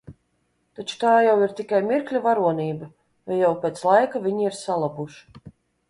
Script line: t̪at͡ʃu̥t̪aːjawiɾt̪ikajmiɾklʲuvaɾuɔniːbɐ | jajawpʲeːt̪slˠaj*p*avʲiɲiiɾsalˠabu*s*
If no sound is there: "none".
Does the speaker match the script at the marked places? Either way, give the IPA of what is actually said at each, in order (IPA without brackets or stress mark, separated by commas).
k, ʃ